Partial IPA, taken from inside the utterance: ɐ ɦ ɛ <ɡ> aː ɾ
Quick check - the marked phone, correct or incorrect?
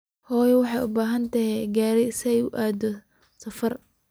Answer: correct